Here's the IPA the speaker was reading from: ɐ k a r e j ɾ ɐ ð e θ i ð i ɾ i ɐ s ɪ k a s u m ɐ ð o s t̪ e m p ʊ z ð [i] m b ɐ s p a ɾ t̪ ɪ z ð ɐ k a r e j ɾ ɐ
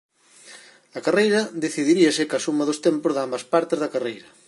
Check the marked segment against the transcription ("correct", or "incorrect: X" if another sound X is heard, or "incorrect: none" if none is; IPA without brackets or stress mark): incorrect: a